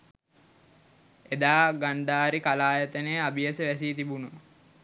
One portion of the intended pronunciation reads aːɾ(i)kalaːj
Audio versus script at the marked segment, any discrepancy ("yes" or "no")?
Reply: no